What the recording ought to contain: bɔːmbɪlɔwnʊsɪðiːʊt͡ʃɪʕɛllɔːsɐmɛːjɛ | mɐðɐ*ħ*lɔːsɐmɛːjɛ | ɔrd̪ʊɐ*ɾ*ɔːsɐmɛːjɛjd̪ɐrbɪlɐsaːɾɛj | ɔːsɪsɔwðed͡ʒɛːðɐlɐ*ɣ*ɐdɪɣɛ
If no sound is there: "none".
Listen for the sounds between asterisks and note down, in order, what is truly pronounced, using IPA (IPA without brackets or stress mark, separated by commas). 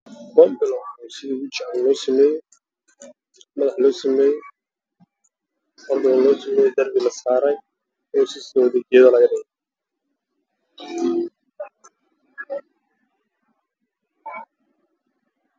ħ, l, ɣ